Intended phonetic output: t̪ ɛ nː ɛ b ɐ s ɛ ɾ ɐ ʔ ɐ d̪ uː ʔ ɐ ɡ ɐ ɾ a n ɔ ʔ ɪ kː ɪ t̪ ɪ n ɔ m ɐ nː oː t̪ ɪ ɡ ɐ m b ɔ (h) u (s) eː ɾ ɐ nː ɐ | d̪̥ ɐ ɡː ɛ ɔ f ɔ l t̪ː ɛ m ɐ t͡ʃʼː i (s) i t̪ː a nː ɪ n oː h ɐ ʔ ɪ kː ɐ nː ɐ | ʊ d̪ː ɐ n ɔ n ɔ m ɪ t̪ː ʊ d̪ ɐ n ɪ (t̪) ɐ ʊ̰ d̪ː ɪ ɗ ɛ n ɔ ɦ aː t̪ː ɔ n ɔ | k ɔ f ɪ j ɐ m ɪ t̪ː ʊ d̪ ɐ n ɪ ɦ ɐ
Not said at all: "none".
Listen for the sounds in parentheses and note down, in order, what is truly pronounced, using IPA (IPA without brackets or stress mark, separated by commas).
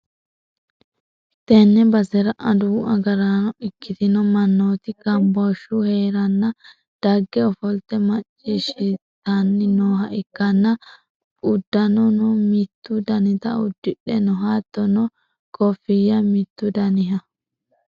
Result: ʃ, h, ʃ, t̪